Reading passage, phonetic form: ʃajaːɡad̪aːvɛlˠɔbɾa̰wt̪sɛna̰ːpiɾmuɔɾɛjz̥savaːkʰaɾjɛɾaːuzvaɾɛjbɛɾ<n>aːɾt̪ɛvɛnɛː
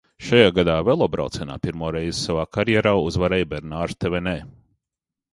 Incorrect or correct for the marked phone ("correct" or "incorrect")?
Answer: correct